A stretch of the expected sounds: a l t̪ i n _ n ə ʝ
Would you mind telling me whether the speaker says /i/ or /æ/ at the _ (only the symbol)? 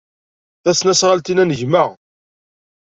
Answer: æ